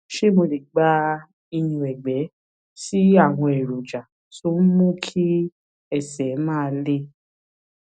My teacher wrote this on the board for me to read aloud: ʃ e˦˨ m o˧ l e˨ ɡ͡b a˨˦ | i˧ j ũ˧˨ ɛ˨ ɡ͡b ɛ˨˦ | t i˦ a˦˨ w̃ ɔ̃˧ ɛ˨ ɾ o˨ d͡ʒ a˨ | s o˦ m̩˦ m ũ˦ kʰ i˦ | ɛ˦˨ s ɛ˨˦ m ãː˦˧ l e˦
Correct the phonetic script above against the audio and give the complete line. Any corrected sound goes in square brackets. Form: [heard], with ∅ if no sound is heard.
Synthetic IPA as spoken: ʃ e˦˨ m o˧ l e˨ ɡ͡b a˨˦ | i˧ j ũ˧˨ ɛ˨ ɡ͡b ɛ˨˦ | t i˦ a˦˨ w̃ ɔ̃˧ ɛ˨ ɾ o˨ d͡ʒ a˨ | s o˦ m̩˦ m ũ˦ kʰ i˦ | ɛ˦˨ s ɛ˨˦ m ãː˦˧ l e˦